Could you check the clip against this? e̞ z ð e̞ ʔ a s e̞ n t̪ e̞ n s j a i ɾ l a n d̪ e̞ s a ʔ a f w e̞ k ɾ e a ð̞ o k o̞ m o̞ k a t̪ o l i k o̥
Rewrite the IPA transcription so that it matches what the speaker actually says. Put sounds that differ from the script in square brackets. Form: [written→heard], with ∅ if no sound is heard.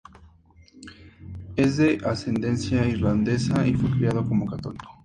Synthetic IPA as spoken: e̞ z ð e̞ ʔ a s e̞ n [t̪→d̪] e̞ n s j a i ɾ l a n d̪ e̞ s a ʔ [a→i] f w e̞ k ɾ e a ð̞ o k o̞ m o̞ k a t̪ o l i k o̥